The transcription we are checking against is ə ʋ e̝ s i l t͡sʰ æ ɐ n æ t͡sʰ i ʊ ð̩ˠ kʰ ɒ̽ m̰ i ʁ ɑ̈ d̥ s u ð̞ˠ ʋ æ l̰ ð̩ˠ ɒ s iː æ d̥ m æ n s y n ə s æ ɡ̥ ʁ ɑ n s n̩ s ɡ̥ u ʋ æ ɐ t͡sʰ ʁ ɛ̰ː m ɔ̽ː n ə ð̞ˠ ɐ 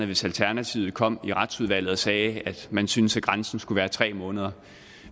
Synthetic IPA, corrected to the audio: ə ʋ e̝ s æ l t͡sʰ æ ɐ n æ t͡sʰ i ʊ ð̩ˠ kʰ ɒ̽ m̰ i ʁ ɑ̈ d̥ s u ð̞ˠ ʋ æ l̰ ð̩ˠ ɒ s ɛː æ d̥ m æ n s y n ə s æ ɡ̥ ʁ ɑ n s n̩ s ɡ̥ u ʋ æː ɐ t͡sʰ ʁ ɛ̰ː m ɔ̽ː n ə ð̞ˠ ɐ